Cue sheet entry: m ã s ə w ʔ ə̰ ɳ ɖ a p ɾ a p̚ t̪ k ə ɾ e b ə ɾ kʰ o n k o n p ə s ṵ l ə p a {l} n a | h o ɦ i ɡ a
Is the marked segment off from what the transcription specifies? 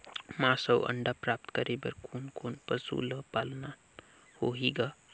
no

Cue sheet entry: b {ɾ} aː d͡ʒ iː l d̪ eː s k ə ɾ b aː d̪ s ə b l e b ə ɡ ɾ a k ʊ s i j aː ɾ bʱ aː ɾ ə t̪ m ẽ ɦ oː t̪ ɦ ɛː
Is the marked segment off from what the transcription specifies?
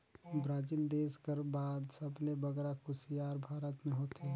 no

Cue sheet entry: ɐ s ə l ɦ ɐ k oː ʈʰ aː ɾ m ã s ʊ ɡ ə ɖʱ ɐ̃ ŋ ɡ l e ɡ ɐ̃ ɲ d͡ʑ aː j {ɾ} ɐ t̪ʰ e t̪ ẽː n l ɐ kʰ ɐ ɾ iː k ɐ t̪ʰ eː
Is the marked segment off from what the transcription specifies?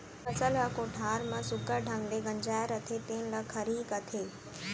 no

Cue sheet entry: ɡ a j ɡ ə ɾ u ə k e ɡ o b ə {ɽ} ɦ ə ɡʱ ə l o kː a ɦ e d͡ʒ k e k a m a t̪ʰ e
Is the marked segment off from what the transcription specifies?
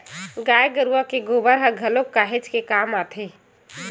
yes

